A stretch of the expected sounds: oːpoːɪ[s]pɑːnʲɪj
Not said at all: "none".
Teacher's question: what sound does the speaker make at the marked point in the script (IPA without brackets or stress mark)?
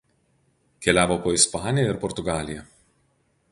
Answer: s